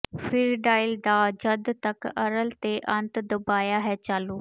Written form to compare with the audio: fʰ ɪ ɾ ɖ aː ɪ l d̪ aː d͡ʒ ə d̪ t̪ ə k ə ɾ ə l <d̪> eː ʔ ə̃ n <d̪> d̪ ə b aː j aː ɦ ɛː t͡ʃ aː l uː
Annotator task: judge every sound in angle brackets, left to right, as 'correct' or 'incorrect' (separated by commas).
incorrect, incorrect